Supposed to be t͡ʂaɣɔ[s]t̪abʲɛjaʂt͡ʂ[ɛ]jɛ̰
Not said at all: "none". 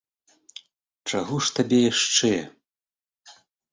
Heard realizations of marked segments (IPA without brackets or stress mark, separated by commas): ʂ, ɛ